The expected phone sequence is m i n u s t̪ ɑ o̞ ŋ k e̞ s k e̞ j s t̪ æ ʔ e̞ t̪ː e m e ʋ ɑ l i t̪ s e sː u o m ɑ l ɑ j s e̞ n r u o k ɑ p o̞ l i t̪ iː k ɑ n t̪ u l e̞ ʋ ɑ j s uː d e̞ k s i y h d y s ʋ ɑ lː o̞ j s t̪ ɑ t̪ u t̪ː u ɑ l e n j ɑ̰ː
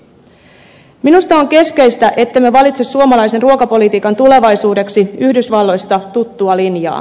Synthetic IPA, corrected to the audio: m i n u s t̪ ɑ o̞ ŋ k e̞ s k e̞ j s t̪ æ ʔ e̞ t̪ː e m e ʋ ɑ l i t̪ s e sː u o m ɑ l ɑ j s e̞ n r u o k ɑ p o̞ l i t̪ iː k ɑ n t̪ u l e̞ ʋ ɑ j s uː d e̞ k s i y h d y s ʋ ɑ lː o̞ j s t̪ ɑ t̪ u t̪ː u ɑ l i n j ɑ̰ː